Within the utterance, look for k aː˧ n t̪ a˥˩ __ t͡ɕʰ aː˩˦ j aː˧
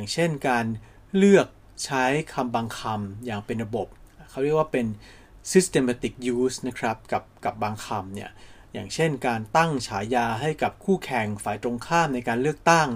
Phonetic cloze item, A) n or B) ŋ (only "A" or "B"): B